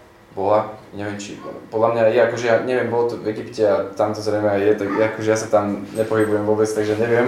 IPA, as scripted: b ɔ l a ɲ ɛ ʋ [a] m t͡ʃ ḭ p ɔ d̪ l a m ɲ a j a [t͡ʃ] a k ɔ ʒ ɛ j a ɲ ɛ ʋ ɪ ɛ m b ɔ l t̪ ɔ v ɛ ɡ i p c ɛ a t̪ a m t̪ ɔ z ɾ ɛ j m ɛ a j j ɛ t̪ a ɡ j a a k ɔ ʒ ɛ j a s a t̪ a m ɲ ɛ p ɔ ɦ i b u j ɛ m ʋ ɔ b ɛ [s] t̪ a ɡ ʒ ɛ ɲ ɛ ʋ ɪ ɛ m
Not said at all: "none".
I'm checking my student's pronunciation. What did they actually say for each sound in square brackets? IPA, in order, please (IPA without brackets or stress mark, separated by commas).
ɛ, none, t͡s